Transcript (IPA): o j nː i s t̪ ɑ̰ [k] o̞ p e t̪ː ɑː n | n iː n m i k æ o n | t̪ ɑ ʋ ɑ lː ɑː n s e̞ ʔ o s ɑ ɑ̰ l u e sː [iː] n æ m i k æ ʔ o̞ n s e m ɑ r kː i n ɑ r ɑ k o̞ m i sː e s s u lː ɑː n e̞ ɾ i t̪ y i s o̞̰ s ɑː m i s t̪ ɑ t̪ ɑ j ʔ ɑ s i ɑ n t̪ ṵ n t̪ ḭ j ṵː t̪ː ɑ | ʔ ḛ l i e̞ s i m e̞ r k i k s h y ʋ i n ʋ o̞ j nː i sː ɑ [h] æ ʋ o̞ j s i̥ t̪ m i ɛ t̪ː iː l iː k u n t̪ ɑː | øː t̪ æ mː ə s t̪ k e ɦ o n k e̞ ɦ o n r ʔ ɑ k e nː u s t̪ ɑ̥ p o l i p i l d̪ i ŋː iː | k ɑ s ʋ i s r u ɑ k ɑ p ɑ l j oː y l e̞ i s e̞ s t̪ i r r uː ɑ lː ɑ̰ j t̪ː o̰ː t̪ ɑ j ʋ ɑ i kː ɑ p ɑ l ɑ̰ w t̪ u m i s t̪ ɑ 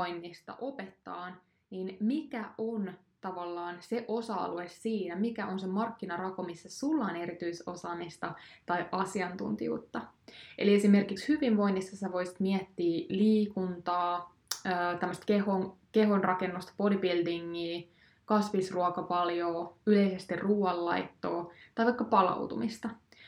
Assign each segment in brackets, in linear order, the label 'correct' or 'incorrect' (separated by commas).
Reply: incorrect, correct, incorrect